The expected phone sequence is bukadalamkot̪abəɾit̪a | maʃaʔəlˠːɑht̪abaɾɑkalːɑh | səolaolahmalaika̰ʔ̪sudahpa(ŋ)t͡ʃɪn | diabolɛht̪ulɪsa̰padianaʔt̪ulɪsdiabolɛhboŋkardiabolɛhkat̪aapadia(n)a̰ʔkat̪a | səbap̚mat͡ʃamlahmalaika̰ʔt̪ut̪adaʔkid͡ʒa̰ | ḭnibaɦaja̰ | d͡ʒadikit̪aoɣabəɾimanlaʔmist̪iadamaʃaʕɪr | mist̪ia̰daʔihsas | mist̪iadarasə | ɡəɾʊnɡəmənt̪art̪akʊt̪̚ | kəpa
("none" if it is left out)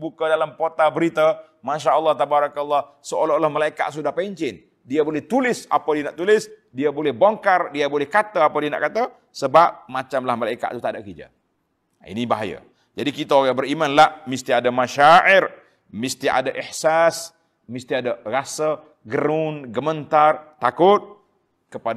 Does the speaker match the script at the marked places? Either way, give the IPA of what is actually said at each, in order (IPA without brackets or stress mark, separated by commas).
ɲ, n